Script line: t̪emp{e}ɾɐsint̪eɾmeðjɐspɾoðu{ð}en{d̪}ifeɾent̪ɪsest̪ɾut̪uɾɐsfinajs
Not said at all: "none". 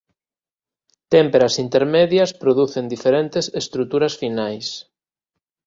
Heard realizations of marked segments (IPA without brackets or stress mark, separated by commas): e, θ, d̪